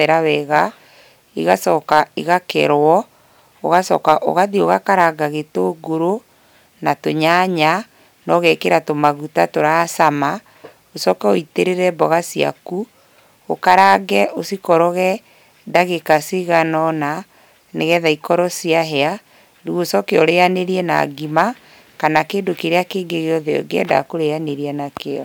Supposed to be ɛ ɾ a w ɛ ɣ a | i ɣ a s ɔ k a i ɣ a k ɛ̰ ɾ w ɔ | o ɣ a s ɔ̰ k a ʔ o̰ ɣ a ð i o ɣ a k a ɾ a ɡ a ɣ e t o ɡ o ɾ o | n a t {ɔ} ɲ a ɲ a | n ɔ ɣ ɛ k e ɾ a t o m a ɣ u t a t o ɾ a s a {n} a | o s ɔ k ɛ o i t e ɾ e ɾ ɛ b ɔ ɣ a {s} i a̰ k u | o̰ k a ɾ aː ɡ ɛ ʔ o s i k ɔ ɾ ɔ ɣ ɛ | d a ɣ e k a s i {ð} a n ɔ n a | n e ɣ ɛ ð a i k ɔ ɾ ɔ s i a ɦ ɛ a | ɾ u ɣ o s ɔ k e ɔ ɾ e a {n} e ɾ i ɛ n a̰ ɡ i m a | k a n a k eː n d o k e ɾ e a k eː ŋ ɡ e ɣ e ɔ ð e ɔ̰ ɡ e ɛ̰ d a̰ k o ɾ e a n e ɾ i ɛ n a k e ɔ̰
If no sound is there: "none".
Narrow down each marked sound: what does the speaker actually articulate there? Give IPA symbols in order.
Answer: o, m, s, ɣ, n

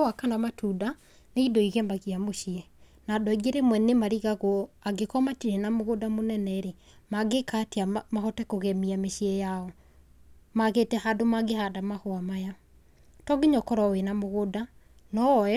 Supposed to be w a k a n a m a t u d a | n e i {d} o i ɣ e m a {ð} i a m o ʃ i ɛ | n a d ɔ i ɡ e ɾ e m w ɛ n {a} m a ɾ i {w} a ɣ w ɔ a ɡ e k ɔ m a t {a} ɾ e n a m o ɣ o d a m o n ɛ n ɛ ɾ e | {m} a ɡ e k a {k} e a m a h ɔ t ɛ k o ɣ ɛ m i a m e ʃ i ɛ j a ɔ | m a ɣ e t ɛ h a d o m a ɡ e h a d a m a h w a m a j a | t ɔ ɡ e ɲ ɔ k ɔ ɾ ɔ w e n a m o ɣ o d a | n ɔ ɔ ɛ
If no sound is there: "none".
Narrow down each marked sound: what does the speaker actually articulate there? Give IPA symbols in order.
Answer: d, ɣ, e, ɣ, i, m, t

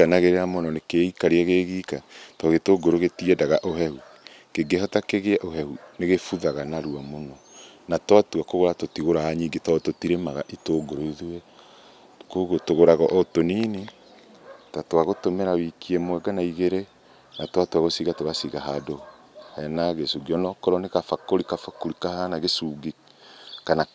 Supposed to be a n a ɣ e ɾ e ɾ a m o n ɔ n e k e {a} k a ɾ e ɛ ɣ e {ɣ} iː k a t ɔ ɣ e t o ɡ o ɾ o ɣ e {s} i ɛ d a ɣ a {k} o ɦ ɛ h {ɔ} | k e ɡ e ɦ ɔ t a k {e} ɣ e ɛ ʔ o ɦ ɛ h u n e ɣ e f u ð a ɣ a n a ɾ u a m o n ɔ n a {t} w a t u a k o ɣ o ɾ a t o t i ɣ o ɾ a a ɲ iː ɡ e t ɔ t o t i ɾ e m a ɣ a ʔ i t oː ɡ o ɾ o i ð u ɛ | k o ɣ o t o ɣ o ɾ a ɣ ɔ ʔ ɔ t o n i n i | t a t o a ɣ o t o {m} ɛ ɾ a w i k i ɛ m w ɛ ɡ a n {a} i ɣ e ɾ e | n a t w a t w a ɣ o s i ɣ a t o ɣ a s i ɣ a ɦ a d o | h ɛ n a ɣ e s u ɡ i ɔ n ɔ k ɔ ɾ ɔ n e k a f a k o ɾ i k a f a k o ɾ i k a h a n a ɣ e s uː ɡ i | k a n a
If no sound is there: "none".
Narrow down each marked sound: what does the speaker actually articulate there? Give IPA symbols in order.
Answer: i, ɣ, t, ʔ, u, e, t, m, a

